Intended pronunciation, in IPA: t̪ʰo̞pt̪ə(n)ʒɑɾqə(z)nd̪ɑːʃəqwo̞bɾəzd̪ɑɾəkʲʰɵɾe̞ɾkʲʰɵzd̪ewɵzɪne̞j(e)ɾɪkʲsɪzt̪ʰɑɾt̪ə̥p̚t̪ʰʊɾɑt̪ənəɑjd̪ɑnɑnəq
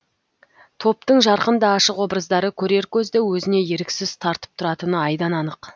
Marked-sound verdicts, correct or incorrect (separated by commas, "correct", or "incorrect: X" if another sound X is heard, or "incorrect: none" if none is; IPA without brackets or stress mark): incorrect: ɴ, incorrect: none, correct